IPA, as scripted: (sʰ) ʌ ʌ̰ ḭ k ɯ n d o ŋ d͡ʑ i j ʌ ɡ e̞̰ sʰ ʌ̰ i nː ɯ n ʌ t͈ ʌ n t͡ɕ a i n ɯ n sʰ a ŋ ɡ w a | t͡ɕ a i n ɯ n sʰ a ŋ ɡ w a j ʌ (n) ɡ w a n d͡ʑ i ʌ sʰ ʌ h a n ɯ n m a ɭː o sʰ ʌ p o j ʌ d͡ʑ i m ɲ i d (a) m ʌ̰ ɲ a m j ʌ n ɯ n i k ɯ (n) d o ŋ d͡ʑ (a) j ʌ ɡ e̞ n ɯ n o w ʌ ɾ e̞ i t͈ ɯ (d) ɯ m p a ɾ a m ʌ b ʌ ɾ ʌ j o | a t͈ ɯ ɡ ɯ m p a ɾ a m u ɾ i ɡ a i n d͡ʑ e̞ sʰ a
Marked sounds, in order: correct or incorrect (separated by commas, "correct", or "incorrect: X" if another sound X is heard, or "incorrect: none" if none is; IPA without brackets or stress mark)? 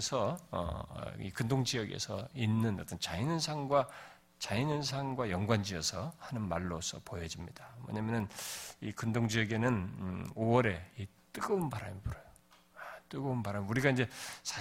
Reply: correct, incorrect: ŋ, correct, correct, incorrect: i, incorrect: ɡ